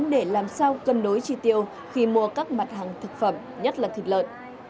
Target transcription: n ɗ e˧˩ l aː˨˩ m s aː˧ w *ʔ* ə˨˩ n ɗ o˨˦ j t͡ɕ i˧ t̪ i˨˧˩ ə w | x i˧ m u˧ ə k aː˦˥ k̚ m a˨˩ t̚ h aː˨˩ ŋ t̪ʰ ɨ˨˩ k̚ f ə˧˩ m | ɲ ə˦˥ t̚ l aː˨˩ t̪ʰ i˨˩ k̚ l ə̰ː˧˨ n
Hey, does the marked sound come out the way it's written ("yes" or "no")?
no